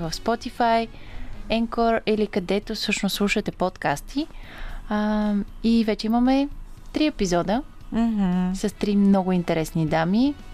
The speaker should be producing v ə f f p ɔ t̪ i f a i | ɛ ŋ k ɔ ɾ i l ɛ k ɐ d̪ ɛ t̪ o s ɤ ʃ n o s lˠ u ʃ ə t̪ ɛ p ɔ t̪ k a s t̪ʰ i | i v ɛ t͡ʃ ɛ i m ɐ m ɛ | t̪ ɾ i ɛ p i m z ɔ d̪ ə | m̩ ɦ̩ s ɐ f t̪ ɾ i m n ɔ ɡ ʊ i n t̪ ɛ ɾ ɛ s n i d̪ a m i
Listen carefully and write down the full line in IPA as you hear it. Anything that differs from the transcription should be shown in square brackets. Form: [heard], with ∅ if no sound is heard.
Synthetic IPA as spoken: v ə f [s] p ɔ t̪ i f a [j] | ɛ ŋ k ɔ ɾ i l [i] k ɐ d̪ ɛ t̪ o s ɤ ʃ n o s lˠ u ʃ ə t̪ ɛ p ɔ t̪ k a s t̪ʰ i | i v ɛ t͡ʃ ɛ i m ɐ m ɛ | t̪ ɾ i ɛ p i [∅] z ɔ d̪ ə | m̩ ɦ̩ s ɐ [s] t̪ ɾ i m n ɔ ɡ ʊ i n t̪ ɛ ɾ ɛ s n i d̪ a m i